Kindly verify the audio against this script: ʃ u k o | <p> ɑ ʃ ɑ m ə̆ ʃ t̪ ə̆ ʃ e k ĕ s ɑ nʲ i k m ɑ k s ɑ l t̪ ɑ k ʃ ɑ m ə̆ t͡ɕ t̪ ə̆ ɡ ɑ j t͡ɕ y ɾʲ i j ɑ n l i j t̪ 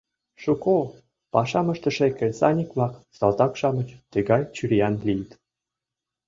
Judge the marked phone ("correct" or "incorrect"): correct